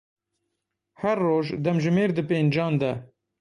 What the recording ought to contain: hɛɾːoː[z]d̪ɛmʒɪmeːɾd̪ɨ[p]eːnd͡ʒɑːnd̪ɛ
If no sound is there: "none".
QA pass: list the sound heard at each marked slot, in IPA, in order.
ʒ, p

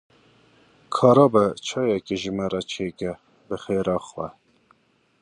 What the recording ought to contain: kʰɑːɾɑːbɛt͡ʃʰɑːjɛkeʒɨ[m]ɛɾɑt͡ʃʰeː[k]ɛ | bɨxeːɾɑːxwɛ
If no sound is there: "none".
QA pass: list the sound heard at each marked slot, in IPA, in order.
m, k

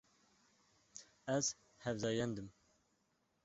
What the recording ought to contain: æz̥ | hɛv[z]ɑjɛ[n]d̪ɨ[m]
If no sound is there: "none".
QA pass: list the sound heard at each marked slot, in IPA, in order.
z, n, m

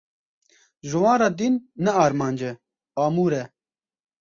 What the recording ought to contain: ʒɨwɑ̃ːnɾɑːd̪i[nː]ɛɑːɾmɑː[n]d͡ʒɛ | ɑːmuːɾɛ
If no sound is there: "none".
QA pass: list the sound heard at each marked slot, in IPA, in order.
nː, n

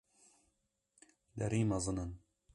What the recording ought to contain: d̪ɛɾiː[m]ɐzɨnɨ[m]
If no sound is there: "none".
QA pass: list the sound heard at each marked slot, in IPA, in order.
m, n

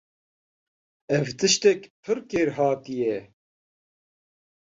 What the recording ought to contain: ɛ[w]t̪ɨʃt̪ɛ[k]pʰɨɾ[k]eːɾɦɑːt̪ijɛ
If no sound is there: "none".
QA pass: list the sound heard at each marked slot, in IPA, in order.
v, k, k

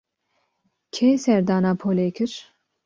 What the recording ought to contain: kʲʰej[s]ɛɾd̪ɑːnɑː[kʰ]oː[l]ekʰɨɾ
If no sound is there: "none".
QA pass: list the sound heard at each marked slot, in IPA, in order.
s, pʰ, l

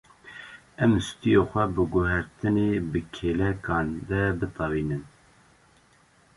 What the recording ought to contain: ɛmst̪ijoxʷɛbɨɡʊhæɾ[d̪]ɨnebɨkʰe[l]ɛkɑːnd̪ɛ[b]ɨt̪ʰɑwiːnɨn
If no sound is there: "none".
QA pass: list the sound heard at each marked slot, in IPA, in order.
t̪, l, b

